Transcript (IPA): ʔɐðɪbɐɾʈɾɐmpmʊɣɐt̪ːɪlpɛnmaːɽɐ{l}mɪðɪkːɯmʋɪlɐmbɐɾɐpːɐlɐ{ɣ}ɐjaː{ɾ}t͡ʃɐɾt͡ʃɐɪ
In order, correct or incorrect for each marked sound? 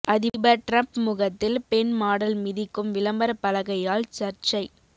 correct, correct, incorrect: l

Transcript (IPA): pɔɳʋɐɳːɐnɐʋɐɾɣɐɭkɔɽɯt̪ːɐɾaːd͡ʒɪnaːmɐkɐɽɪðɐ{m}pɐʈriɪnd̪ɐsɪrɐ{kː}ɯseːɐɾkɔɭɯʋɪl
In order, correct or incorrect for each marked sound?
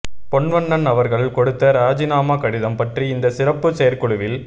correct, incorrect: pː

